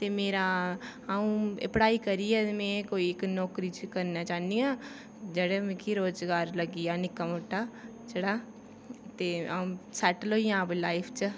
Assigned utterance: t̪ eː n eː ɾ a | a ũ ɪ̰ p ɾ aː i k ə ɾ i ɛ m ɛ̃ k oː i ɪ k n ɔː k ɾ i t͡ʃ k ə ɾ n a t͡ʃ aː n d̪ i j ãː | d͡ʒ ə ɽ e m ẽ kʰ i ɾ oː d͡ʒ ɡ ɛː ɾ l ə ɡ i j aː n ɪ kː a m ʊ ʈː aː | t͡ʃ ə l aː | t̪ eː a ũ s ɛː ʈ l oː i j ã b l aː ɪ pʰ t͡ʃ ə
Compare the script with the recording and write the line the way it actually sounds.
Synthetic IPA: t̪ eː m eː ɾ a | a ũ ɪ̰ p ɽ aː i k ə ɾ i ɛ m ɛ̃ k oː i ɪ k n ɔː k ɾ i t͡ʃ k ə ɾ n a t͡ʃ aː n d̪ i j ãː | d͡ʒ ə ɽ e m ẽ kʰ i ɾ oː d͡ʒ ɡ aː ɾ l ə ɡ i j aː n ɪ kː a m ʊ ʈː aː | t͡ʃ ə ɽ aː | t̪ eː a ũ s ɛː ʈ l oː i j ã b l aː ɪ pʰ t͡ʃ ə